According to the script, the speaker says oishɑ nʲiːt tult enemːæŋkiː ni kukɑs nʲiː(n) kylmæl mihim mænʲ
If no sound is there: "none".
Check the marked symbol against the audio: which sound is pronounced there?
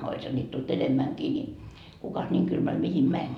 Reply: ŋ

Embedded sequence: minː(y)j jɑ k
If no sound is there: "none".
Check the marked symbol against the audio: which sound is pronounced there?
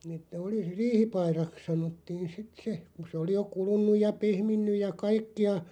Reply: y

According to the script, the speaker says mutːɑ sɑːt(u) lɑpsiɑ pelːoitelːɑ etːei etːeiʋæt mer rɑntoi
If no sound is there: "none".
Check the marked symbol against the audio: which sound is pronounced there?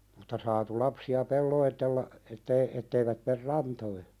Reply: u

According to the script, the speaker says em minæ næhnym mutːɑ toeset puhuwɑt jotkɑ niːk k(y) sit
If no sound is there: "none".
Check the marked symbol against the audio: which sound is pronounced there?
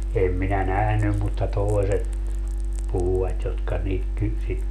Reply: y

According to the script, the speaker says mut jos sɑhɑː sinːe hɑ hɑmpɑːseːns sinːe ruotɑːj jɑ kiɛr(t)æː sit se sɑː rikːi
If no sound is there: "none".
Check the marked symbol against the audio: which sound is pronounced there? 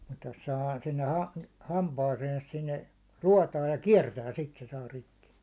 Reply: t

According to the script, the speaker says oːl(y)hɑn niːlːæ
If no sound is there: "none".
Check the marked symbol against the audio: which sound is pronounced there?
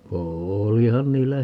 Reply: i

